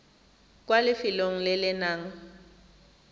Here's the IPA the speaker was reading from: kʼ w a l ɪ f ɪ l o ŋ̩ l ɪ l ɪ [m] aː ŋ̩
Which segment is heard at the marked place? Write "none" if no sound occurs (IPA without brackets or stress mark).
n